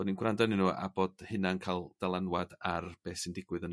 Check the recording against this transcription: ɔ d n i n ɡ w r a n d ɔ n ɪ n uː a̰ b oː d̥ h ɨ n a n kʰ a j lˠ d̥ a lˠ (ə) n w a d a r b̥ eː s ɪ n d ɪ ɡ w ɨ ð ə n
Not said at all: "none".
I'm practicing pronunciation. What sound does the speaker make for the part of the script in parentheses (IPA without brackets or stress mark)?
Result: a